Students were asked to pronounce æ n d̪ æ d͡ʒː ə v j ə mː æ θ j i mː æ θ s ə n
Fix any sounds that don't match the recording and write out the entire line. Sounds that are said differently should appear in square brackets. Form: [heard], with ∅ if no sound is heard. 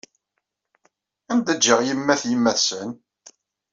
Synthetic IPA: æ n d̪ æ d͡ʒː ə [ʁ] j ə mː æ θ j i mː æ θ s ə n